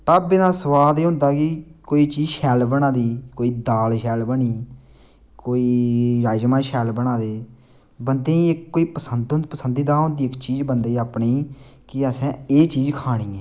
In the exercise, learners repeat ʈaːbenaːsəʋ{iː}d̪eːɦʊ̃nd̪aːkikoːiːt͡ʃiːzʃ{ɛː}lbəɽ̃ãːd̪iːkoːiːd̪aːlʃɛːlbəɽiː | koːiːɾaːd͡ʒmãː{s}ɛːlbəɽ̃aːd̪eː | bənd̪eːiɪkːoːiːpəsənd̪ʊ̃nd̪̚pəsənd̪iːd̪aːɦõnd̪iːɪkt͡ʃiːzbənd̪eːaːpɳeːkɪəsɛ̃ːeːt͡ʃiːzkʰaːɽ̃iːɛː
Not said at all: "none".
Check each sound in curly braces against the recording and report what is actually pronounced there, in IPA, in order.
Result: aː, ɛː, ʃ

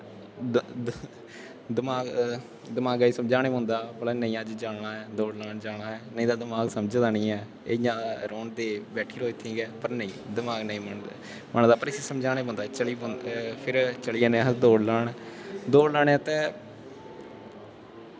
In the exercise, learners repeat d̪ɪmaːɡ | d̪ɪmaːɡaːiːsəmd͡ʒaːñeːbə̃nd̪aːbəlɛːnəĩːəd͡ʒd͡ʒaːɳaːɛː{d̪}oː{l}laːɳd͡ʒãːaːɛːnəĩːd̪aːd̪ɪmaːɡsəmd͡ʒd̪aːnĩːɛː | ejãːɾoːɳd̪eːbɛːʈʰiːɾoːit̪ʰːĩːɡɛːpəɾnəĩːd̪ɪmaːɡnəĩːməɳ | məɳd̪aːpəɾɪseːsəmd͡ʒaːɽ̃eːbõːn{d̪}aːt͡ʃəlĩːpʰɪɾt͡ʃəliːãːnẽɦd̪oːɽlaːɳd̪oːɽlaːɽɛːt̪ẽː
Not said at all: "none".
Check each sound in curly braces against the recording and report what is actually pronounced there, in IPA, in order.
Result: d̪, ɽ, d̪

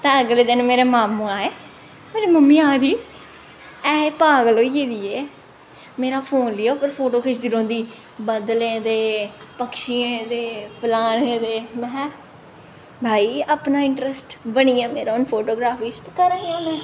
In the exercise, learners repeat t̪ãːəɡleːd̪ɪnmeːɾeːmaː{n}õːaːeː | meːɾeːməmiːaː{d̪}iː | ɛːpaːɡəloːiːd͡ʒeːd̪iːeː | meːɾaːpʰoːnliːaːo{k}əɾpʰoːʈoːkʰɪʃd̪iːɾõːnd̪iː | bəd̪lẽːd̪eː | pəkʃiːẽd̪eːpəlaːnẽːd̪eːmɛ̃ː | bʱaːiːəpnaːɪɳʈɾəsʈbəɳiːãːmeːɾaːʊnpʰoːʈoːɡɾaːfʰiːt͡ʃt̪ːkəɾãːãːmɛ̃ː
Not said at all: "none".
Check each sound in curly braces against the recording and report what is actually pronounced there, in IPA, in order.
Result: m, d̪, p

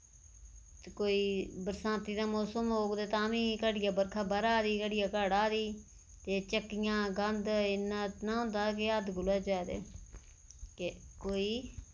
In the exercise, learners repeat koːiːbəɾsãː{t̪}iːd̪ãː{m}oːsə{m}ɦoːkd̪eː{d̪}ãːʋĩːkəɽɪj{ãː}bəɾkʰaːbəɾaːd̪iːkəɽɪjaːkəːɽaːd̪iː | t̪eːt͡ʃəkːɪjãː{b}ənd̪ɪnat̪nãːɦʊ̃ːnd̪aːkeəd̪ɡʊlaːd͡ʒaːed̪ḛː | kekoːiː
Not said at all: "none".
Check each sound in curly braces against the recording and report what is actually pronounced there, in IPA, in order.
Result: t̪, m, m, t̪, aː, ɡ

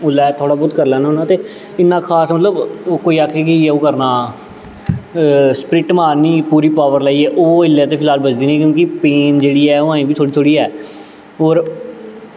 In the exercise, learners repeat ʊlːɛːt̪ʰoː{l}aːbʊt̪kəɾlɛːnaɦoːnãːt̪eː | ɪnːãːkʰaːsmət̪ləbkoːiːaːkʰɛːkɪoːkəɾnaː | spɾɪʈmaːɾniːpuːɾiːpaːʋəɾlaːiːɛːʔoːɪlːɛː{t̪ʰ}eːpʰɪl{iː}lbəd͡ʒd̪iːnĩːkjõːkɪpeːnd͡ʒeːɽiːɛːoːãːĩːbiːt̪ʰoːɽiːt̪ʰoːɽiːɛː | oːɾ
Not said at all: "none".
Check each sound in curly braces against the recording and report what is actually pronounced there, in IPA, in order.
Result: ɽ, t̪, aː

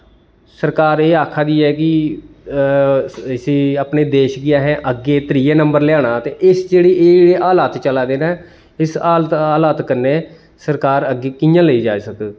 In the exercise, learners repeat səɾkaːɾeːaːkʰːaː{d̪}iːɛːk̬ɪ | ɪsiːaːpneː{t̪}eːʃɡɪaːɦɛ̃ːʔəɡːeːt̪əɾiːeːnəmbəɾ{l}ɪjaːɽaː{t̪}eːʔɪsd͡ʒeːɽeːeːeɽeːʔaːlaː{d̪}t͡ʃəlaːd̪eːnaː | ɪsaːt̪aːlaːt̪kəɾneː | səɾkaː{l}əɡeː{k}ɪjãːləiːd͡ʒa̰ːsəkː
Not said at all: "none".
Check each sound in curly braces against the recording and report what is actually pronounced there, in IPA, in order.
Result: d̪, d̪, l, t̪, t̪, ɾ, k

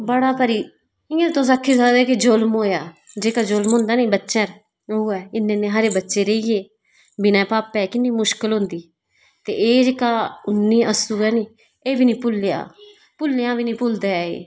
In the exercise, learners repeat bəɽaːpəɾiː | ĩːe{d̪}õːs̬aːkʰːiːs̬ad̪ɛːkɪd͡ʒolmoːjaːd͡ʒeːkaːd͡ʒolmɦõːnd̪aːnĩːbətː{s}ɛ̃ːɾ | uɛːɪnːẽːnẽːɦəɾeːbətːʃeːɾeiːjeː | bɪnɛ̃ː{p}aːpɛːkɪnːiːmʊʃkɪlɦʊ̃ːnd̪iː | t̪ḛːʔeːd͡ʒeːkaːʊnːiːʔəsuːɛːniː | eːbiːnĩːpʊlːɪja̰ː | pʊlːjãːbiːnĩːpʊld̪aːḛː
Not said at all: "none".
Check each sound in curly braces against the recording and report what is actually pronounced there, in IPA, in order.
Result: t̪, ʃ, p

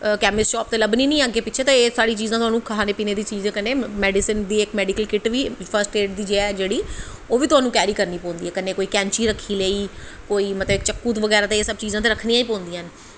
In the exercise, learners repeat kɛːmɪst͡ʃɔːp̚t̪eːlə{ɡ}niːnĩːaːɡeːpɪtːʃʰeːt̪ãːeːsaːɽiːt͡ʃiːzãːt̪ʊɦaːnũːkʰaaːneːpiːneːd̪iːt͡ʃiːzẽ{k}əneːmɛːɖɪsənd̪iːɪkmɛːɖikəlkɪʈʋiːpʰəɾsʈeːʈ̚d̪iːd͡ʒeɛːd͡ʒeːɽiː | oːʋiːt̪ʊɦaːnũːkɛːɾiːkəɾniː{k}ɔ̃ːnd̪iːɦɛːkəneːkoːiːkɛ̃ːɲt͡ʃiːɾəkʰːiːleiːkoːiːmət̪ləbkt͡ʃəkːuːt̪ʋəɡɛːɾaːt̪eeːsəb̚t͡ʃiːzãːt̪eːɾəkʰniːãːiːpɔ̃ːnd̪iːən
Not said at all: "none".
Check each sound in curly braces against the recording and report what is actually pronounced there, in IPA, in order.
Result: b, k, p

